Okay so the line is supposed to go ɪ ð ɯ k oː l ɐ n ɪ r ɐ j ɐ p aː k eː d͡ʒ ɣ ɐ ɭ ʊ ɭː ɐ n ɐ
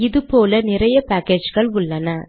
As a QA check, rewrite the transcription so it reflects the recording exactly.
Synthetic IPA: ɪ ð ɯ p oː l ɐ n ɪ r ɐ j ɐ p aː k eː d͡ʒ ɣ ɐ ɭ ʊ ɭː ɐ n ɐ